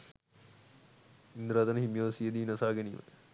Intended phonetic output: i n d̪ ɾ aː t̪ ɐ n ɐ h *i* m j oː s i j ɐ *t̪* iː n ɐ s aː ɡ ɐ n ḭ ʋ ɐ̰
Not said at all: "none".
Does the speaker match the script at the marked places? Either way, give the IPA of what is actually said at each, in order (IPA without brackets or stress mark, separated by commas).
i, d̪